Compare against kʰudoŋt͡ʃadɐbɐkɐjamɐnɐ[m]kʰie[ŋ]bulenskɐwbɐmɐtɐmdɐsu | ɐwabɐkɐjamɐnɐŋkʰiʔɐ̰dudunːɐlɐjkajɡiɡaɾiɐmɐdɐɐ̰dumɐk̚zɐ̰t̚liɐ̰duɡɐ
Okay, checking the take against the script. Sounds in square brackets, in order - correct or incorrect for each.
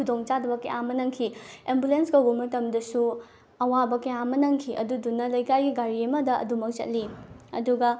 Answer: incorrect: ŋ, incorrect: m

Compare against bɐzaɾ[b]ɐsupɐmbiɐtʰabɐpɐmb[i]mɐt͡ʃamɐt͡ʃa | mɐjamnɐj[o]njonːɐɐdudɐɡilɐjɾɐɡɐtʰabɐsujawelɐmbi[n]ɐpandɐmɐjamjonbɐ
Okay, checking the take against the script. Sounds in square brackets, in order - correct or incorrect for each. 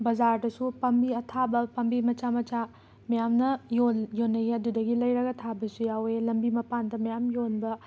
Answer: incorrect: d, correct, correct, incorrect: m

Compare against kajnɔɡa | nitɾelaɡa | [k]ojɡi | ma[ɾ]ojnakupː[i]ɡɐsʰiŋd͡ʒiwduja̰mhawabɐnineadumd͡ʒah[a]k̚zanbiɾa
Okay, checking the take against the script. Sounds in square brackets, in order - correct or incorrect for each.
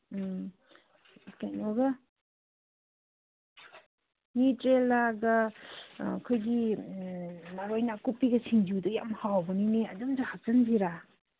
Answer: incorrect: kʰ, correct, correct, correct

